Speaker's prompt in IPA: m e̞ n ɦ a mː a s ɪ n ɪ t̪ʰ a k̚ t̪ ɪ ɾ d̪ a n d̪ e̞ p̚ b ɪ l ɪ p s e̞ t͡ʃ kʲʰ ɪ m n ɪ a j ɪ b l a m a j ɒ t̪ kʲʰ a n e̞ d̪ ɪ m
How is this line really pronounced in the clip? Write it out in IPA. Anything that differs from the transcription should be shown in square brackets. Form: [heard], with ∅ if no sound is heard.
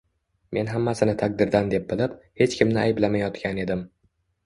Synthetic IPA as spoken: m e̞ n ɦ a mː a s ɪ n ɪ t̪ʰ a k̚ [d̪] ɪ ɾ d̪ a n d̪ e̞ p̚ b ɪ l ɪ p [h] e̞ t͡ʃ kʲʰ ɪ m n ɪ a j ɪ b l a m a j ɒ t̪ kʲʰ a n e̞ d̪ ɪ m